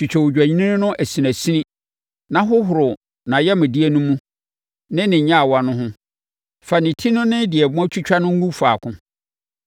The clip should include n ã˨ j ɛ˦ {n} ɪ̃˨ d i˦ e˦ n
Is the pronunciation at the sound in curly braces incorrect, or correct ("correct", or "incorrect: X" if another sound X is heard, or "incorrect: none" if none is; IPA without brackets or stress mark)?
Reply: incorrect: m